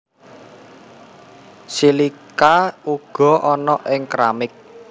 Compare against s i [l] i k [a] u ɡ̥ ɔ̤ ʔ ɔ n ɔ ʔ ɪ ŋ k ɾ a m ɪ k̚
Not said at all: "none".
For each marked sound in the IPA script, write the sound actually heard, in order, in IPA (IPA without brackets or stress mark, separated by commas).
l, a